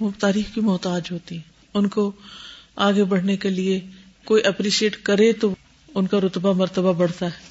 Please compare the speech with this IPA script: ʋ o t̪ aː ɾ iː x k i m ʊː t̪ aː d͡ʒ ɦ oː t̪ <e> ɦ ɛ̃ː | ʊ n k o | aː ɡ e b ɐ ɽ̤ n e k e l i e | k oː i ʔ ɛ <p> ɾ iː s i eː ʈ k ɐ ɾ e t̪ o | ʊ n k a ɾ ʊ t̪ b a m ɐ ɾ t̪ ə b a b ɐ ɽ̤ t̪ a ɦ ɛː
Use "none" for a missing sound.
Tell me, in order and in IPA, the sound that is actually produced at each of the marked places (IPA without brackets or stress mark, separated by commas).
i, p